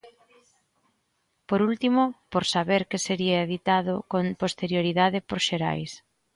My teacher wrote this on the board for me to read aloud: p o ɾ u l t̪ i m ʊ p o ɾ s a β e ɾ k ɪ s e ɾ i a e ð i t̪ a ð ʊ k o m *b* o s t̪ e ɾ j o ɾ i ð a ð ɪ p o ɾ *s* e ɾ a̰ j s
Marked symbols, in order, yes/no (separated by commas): no, no